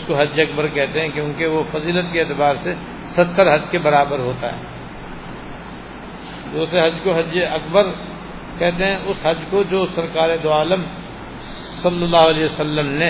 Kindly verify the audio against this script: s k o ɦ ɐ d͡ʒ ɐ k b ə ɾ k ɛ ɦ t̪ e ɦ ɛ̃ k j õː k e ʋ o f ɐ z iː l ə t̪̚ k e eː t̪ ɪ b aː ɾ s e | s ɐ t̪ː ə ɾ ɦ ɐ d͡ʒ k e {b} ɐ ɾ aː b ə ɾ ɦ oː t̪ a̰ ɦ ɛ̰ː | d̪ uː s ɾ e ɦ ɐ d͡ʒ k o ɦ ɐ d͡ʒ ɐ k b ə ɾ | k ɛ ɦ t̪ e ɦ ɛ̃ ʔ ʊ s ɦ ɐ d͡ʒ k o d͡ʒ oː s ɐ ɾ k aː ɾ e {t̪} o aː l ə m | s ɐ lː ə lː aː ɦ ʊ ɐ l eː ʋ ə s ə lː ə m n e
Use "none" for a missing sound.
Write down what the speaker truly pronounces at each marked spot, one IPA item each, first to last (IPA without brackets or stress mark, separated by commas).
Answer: b, d̪